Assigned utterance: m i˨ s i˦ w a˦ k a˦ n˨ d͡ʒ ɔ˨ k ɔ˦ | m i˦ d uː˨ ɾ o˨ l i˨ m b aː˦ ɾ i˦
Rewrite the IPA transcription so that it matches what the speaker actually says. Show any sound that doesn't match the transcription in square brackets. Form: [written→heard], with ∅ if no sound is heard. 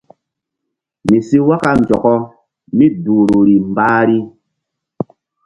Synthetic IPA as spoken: m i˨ s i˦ w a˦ k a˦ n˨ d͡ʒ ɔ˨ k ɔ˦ | m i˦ d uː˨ ɾ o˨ [l→ɾ] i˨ m b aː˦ ɾ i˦